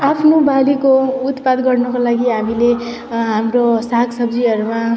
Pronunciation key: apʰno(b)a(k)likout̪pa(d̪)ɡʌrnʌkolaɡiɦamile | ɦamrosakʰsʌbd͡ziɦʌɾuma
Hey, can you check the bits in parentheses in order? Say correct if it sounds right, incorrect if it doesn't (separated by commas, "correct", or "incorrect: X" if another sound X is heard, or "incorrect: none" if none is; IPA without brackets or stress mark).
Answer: correct, incorrect: none, correct